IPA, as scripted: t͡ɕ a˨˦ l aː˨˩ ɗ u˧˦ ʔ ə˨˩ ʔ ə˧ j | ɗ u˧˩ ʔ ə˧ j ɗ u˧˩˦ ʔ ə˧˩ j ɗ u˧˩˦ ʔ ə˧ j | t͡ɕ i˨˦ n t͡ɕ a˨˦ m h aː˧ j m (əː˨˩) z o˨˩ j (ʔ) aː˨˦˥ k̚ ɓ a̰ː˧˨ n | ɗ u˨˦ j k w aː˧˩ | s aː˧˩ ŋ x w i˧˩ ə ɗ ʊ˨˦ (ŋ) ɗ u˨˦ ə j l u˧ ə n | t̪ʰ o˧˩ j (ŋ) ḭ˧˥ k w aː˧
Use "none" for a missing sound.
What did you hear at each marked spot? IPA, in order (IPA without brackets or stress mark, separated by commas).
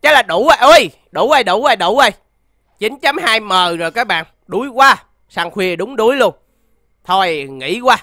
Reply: əː˨˩, k, ŋ͡m, ŋ